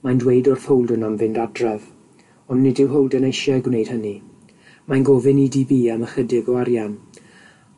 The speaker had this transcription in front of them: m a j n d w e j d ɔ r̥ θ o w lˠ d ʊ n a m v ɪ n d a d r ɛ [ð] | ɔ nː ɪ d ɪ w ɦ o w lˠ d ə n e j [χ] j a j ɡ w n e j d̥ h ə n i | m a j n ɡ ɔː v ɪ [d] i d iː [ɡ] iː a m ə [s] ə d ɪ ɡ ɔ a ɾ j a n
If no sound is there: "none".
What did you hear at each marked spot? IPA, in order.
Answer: v, ʃ, n, b, χ

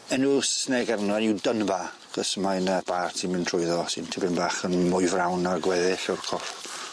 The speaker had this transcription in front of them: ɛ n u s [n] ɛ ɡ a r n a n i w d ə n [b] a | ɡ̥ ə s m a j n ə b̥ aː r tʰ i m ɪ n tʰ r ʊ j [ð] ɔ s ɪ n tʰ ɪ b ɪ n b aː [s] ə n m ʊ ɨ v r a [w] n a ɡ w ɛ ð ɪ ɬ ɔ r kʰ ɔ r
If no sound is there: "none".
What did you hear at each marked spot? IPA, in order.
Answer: n, b, ð, χ, w

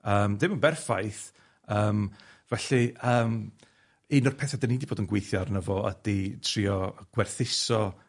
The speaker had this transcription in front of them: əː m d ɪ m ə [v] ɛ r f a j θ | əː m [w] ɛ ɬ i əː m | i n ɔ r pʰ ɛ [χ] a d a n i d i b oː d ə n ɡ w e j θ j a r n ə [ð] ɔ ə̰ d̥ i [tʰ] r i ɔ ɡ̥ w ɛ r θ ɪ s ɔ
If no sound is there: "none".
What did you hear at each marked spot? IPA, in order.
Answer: b, v, θ, v, tʰ

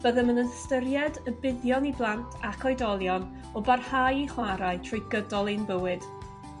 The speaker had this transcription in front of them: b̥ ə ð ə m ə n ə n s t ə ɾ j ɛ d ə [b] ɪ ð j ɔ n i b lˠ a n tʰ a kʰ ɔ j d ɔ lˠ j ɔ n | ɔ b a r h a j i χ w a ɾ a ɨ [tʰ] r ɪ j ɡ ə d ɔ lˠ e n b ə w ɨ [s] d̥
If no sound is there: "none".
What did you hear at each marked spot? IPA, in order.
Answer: b, tʰ, none

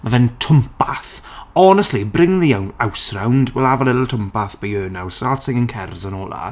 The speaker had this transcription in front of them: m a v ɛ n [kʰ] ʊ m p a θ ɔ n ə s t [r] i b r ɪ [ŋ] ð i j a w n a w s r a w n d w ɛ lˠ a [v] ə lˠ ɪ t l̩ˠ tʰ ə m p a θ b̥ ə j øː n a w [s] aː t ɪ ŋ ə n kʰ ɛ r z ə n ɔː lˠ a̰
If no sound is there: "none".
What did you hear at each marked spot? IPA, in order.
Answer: tʰ, l, ŋ, v, s

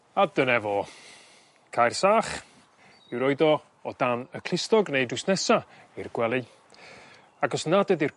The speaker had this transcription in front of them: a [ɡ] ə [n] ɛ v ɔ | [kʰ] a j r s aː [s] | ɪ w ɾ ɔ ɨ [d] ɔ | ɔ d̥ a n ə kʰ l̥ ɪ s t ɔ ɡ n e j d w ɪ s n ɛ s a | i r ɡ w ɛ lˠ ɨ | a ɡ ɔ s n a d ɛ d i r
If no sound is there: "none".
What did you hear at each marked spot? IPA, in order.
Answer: d, n, kʰ, χ, d

